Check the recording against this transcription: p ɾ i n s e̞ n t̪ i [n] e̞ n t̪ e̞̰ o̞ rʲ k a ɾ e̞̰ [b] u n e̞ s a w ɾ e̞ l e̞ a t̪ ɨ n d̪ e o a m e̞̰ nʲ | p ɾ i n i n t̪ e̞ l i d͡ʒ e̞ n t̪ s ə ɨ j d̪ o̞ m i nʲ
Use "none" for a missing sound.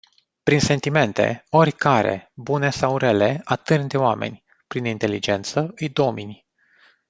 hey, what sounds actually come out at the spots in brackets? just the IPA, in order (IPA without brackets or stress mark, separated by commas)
m, b